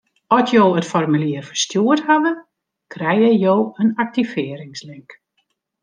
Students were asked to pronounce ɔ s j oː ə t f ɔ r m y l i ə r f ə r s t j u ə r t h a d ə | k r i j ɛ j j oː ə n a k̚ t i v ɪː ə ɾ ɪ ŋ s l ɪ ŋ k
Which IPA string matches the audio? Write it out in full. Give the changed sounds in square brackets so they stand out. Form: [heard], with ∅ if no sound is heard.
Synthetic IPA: ɔ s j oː ə t f ɔ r m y l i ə r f ə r s t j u ə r t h a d ə | k r [ɛ] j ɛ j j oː ə n a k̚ t i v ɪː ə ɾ ɪ ŋ s l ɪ ŋ k